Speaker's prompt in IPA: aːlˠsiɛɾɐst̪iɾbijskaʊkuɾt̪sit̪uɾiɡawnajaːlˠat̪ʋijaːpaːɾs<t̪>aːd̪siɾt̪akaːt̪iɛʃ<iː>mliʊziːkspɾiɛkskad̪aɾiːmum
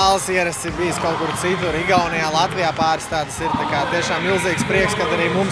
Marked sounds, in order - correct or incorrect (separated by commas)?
correct, incorrect